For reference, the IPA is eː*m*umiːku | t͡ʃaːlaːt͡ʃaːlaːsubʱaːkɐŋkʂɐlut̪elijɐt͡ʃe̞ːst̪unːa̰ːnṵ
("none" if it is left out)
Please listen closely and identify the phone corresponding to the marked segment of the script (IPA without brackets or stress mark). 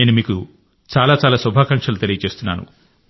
n